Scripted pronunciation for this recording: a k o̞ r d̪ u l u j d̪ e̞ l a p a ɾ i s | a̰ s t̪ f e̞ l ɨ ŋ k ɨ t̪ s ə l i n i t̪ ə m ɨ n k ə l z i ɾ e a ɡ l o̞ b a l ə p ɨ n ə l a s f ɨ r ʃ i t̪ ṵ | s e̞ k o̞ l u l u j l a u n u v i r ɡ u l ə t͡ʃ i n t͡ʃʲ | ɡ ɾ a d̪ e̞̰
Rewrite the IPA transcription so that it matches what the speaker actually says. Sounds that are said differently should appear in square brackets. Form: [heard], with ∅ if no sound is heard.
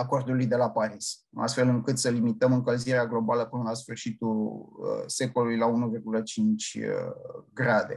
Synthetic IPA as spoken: a k o̞ r d̪ u l u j d̪ e̞ l a p a ɾ i s | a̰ s t̪ f e̞ l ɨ ŋ k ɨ t̪ s ə l i [m] i t̪ ə m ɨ [ŋ] k ə l z i ɾ e a ɡ l o̞ b a l ə p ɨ n ə l a s f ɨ r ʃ i t̪ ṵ | s e̞ k o̞ l u l u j l a u n u v i r ɡ u l ə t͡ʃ i n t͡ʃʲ | ɡ ɾ a d̪ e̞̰